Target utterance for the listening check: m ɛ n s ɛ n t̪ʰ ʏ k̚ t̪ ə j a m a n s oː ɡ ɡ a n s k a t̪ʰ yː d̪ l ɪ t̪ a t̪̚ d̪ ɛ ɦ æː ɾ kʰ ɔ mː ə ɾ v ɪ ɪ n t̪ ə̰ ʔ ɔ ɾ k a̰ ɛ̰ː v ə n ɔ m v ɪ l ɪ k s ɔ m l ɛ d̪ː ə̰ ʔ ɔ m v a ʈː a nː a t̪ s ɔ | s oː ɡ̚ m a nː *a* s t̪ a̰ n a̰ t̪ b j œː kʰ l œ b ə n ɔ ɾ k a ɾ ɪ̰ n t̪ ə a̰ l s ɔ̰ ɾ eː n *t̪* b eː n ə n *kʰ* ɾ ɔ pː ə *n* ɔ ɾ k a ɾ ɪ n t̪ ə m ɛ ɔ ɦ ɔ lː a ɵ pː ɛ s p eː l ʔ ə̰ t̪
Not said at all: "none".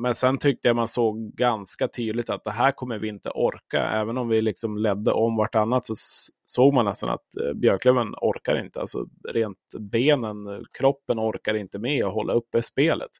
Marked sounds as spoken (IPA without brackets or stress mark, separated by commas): ɛ, t̪, kʰ, n